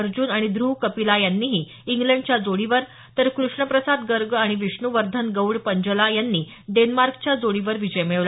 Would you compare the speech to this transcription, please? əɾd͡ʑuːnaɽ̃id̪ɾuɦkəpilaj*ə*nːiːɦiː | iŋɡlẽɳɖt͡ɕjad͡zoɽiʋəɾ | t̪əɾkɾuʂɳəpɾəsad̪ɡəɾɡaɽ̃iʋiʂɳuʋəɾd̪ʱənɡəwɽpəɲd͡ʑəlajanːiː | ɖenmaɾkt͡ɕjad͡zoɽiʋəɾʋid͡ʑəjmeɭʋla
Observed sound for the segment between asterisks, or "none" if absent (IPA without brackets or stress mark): a